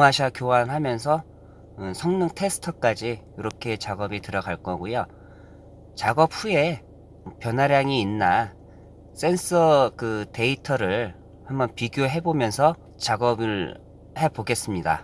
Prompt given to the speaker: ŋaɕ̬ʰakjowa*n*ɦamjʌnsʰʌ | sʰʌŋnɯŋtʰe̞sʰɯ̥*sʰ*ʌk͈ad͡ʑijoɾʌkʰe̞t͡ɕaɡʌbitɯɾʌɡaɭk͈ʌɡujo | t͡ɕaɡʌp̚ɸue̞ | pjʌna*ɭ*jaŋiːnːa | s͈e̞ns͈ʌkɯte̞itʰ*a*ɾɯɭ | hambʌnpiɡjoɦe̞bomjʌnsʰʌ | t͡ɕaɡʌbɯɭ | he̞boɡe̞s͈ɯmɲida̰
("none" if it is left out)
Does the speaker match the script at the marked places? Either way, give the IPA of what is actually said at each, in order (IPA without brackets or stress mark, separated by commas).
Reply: n, tʰ, ɾ, ʌ